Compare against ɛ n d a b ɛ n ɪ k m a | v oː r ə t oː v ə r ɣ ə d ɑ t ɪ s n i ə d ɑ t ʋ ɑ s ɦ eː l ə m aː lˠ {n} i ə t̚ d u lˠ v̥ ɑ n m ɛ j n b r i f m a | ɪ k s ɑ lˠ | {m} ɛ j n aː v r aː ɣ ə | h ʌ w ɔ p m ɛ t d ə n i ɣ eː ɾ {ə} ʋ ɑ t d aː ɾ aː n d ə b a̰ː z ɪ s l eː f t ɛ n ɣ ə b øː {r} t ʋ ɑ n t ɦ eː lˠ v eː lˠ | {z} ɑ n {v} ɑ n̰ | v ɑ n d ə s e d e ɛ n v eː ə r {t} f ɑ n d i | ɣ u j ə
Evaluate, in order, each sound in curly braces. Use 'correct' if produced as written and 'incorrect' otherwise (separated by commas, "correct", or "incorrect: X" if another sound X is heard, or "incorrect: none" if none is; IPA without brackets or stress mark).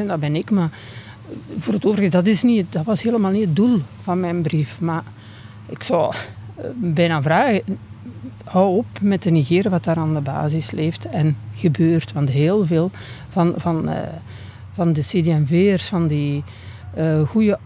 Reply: correct, incorrect: b, correct, correct, incorrect: v, correct, incorrect: s